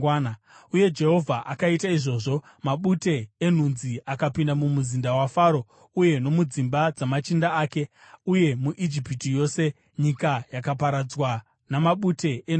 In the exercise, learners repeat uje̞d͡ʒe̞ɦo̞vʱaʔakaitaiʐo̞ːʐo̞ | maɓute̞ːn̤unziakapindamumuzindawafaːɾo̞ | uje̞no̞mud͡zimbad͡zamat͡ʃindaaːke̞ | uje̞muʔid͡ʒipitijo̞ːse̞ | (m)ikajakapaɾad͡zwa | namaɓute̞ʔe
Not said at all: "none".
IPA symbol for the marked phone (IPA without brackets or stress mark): ɲ